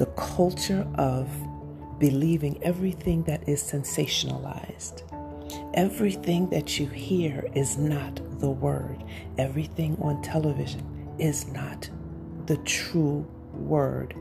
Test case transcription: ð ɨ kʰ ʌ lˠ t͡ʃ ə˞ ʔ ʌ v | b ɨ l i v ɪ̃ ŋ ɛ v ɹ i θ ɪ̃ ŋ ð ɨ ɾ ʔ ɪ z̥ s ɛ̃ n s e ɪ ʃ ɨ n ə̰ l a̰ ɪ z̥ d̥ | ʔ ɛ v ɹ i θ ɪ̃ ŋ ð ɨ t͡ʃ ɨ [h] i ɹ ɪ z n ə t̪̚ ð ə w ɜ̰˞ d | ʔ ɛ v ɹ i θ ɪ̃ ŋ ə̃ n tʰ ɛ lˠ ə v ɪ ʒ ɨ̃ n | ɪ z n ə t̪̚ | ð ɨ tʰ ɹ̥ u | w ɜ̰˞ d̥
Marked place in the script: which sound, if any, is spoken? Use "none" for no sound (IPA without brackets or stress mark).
h